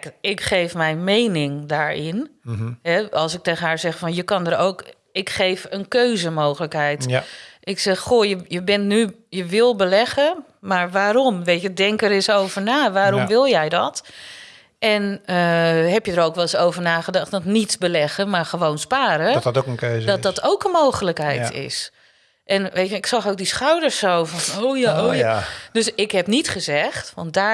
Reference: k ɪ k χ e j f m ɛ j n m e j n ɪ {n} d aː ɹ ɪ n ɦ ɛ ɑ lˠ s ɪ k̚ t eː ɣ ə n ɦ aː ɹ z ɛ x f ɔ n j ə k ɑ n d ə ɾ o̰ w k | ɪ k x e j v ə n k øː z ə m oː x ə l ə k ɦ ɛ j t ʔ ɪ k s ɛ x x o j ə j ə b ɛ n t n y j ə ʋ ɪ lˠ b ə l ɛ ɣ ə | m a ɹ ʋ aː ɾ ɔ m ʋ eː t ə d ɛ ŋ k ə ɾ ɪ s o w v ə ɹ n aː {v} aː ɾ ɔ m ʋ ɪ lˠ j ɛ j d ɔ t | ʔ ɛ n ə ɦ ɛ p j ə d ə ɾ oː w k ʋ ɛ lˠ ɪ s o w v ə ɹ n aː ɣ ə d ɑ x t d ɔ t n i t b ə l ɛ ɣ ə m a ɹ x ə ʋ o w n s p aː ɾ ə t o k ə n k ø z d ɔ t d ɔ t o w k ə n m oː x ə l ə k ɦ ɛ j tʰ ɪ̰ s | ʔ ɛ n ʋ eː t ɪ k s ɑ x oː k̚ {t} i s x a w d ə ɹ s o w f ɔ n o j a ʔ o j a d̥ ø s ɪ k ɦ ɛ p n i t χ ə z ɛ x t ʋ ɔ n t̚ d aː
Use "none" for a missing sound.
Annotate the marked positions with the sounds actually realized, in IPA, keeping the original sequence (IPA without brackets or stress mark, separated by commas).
ŋ, ʋ, d